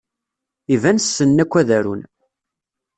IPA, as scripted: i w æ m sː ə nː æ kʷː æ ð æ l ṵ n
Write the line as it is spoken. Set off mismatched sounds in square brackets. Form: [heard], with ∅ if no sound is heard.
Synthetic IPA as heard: i [v] æ [n] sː ə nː æ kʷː æ ð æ [ɾ] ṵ n

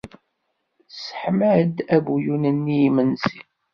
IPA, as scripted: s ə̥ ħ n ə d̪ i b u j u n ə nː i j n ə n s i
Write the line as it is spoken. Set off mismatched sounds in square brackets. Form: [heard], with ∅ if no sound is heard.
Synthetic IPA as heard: s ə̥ ħ [m] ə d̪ [æ] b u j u n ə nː i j [m] ə n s i

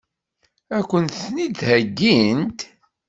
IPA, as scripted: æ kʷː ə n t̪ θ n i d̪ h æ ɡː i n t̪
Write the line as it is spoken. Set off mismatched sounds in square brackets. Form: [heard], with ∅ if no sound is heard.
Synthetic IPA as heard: æ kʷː ə n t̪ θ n i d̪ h æ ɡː i n t̪

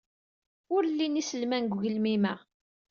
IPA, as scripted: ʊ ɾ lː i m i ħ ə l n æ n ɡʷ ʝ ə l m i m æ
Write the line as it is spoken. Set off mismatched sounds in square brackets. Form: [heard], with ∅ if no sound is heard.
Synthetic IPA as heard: ʊ ɾ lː i [n] i [s] ə l [m] æ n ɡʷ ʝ ə l m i m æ

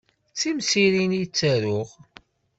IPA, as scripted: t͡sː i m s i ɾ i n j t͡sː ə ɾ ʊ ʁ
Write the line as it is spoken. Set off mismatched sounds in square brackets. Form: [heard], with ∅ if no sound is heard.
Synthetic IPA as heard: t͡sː i m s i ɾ i n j t͡sː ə ɾ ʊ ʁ

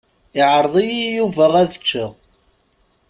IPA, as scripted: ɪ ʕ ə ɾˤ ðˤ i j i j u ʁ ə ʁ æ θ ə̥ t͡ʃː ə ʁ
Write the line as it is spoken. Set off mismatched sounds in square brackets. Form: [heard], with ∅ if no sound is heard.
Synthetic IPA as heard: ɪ ʕ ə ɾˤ ðˤ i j i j u [v] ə ʁ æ [ð] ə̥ t͡ʃː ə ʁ

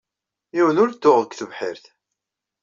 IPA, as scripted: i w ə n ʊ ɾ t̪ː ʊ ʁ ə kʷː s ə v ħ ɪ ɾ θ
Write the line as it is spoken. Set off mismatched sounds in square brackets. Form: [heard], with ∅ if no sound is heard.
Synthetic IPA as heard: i w ə n ʊ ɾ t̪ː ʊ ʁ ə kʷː [θ] ə v ħ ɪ ɾ θ

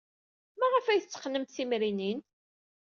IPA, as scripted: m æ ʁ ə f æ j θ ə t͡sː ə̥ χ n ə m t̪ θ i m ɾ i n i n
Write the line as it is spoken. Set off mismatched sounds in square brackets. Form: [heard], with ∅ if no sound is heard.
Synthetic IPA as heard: m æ ʁ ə f æ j θ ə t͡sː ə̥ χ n ə m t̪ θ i m ɾ i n i n

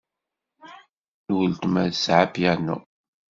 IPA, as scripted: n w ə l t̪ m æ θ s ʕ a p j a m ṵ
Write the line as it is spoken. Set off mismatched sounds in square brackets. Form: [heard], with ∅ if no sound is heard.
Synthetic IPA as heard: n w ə l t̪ m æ [ð] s ʕ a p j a [n] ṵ

